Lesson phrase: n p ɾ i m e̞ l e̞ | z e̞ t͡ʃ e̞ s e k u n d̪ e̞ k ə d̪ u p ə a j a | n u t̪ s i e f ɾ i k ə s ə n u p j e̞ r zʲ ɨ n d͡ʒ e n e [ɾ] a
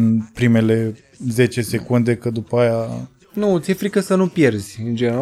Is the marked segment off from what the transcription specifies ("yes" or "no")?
no